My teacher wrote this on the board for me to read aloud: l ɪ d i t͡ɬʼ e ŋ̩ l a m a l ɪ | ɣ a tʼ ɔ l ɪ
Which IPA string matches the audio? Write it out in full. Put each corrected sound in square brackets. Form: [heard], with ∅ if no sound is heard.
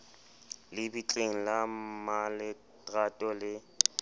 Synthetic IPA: l ɪ [b] i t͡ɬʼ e ŋ̩ l a m a l ɪ | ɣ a tʼ ɔ l ɪ